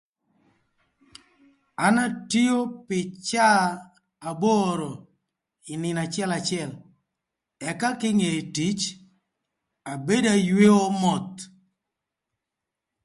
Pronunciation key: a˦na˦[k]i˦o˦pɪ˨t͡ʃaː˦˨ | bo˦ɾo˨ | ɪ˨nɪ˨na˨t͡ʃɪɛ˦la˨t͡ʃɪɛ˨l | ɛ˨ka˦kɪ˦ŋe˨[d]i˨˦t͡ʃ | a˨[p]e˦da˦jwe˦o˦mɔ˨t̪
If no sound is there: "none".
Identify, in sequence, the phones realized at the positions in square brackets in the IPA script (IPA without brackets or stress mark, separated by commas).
t, t, b